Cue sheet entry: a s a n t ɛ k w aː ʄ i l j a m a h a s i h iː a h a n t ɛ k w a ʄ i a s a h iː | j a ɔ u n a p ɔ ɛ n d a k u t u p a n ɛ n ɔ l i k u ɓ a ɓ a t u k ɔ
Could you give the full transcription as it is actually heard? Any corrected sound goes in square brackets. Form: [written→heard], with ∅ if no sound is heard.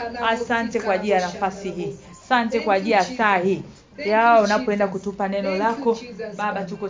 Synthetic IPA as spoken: a s a n t ɛ k w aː ʄ i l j a [m→n] a [h→f] a s i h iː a [h→s] a n t ɛ k w a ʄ i a s a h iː | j a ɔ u n a p ɔ ɛ n d a k u t u p a n ɛ n ɔ l [i→a] k [u→ɔ] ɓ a ɓ a t u k ɔ